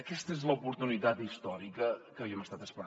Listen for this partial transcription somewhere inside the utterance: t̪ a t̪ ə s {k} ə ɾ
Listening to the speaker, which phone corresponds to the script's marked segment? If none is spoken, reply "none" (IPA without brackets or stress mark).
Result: p